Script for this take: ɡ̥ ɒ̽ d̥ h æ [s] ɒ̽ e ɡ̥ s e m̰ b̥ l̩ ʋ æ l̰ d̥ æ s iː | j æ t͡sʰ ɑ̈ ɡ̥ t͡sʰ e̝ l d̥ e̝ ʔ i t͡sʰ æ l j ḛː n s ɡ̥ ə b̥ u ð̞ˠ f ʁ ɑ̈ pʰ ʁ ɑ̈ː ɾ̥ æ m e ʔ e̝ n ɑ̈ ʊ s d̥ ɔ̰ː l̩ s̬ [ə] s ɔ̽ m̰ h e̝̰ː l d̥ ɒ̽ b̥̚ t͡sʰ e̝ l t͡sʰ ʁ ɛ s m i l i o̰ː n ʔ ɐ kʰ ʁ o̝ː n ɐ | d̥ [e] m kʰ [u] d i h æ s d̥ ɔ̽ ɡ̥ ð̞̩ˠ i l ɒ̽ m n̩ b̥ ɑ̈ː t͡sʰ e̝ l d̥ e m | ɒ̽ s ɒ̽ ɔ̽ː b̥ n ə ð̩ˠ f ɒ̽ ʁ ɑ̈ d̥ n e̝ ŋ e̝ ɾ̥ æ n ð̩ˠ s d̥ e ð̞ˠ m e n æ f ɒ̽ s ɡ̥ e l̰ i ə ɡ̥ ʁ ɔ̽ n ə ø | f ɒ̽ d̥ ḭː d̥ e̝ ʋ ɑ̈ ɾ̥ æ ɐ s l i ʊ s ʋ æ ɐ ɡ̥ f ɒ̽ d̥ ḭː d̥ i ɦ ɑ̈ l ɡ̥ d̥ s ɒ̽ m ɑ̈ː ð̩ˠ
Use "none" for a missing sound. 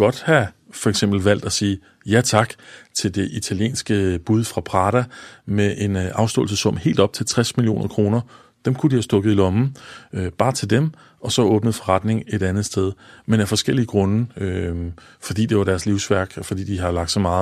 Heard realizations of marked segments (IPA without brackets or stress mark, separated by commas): f, ə, e, u